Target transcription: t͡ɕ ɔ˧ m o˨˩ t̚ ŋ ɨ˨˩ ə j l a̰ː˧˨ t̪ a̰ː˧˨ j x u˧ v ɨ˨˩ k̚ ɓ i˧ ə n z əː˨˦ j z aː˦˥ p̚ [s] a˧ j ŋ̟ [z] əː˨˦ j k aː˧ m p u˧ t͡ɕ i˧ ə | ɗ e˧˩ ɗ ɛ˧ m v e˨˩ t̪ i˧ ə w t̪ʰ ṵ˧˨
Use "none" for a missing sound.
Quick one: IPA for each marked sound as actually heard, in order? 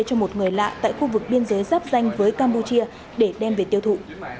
z, v

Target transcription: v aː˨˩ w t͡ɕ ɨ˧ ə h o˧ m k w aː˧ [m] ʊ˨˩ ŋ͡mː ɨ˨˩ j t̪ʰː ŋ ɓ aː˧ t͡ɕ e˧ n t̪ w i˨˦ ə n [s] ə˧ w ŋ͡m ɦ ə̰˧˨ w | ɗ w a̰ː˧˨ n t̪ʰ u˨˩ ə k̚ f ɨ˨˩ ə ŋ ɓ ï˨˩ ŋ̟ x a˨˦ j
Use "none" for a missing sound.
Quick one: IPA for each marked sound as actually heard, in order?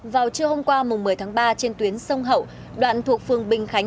m, s

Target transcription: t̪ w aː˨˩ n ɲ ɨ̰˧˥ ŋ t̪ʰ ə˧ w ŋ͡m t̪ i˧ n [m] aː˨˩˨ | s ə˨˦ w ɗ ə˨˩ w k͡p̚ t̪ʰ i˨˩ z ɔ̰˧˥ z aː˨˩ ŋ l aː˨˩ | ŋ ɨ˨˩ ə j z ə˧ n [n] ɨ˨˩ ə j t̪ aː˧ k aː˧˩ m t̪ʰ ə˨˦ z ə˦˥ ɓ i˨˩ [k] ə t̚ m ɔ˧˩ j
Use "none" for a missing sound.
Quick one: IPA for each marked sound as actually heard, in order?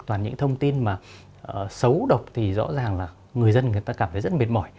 m, ŋ, none

